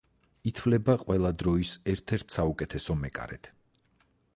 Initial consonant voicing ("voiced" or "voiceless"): voiceless